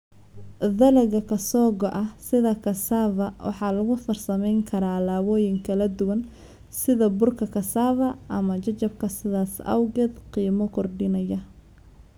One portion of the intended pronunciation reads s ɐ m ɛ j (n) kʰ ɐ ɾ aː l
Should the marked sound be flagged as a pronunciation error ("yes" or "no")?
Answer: yes